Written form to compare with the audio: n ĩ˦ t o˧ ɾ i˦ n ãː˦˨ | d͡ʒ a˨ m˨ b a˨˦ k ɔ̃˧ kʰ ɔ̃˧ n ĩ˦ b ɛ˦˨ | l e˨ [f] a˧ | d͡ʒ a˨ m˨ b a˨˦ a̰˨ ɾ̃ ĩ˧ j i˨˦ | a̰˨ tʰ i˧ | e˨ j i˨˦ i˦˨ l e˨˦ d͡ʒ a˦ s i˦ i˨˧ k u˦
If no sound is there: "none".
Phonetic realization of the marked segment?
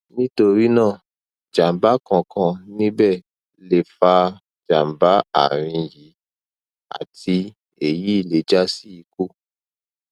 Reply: f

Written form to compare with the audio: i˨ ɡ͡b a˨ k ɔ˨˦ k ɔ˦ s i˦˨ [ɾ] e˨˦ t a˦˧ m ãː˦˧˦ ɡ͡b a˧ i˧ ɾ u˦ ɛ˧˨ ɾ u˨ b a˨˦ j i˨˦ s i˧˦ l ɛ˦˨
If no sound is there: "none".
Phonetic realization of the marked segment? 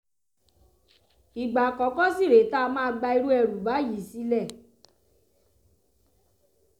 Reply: ɾ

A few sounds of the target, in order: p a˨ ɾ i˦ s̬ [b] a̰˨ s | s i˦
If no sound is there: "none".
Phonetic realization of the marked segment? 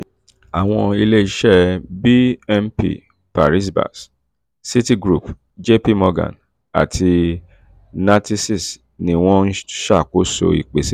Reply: b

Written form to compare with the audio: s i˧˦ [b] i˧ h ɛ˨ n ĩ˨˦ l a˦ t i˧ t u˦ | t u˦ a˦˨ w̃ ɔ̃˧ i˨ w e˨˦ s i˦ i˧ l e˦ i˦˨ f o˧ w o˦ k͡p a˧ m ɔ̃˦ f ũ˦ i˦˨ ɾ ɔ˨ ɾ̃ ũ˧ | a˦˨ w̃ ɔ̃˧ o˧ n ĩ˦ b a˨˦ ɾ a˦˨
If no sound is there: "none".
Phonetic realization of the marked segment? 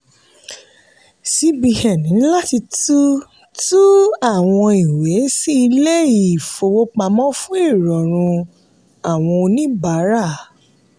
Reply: b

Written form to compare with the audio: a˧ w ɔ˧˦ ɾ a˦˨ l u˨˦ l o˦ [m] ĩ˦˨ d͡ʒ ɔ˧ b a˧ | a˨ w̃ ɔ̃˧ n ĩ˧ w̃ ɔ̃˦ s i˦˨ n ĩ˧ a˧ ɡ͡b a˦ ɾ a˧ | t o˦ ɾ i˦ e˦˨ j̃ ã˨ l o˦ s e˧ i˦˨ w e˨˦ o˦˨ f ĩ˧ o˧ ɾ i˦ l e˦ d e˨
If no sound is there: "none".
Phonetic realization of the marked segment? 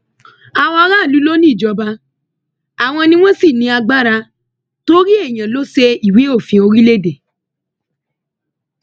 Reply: n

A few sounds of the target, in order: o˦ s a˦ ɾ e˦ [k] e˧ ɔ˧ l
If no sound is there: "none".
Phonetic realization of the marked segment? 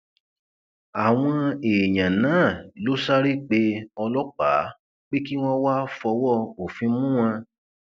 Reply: k͡p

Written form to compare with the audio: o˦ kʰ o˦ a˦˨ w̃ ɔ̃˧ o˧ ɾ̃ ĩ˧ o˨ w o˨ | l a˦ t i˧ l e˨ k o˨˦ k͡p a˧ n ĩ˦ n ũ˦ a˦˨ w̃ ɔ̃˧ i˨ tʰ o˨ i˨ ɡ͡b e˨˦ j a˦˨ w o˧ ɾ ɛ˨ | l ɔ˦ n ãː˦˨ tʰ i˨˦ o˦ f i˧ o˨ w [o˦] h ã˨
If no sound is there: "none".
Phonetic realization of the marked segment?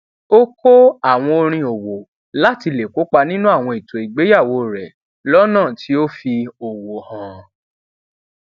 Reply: o˨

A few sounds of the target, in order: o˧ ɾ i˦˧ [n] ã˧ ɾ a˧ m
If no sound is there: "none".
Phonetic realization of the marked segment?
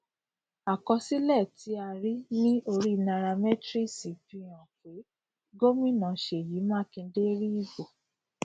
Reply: n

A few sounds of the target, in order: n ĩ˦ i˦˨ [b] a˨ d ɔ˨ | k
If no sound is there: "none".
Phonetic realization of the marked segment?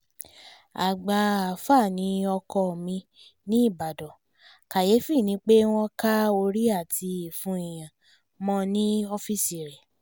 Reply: b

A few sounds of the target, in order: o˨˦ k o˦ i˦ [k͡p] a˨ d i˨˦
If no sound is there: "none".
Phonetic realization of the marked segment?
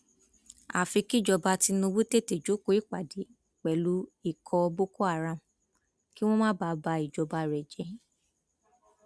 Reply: k͡p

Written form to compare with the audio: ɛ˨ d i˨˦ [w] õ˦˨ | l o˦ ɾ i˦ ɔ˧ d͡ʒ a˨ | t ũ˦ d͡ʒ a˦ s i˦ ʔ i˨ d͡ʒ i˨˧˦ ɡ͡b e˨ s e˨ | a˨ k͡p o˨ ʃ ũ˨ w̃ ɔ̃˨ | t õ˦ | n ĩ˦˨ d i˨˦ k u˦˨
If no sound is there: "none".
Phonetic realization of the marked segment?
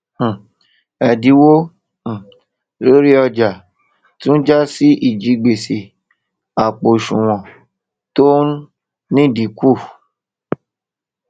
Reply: w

